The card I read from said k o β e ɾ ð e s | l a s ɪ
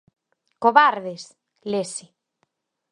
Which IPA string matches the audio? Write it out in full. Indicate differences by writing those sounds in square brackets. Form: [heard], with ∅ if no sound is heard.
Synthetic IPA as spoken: k o β [a] ɾ ð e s | l [e] s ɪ